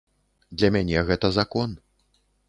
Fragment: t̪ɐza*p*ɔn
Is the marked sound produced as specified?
no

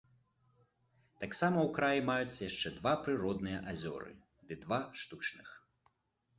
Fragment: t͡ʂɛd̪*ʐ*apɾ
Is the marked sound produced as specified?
no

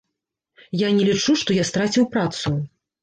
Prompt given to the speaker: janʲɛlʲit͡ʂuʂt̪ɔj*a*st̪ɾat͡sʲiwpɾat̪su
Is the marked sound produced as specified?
yes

